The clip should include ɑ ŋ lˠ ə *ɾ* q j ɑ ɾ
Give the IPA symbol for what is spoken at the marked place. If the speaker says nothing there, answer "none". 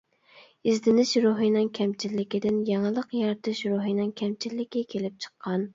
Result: none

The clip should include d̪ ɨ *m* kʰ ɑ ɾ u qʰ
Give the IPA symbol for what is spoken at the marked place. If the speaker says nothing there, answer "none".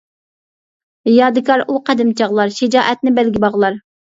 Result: none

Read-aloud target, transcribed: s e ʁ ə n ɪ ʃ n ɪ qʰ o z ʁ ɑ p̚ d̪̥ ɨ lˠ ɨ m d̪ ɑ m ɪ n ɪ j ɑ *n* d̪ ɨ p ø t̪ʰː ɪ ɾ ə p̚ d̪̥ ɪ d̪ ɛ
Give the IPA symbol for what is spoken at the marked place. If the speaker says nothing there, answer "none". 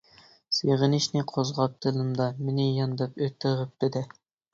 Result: n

